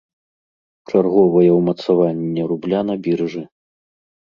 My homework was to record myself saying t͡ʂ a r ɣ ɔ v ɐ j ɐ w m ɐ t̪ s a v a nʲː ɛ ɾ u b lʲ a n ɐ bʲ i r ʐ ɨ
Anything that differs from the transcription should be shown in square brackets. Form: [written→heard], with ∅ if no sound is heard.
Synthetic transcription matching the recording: t͡ʂ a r ɣ ɔ v ɐ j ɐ w m ɐ t̪ s a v a nʲː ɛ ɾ u b lʲ a n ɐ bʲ i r ʐ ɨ